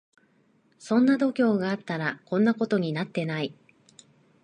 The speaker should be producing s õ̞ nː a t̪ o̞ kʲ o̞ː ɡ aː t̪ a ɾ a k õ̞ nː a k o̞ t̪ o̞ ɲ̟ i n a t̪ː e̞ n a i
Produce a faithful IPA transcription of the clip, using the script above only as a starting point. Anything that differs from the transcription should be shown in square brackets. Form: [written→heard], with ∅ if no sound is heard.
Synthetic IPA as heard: s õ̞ nː a [t̪→d̪] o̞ kʲ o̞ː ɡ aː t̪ a ɾ a k õ̞ nː a k o̞ t̪ o̞ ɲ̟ i n a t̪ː e̞ n a i